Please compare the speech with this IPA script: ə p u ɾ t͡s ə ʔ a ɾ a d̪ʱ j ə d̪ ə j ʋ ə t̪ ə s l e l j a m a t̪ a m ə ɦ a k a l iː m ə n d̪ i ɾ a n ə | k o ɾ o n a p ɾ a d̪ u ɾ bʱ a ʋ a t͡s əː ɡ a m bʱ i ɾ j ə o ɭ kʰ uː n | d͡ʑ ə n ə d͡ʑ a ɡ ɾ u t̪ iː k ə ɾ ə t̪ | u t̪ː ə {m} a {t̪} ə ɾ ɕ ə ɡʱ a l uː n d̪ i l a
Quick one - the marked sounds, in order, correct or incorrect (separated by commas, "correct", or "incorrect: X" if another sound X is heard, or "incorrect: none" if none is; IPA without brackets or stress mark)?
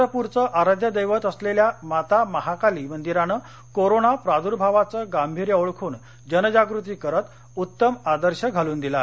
correct, incorrect: d̪